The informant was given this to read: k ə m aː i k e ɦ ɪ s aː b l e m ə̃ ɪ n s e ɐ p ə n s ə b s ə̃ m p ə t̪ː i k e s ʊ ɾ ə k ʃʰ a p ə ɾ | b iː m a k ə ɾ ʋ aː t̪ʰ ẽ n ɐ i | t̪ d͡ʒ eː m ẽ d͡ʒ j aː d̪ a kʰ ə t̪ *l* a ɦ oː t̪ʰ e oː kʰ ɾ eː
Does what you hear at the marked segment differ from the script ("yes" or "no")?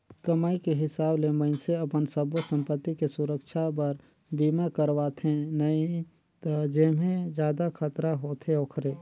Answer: yes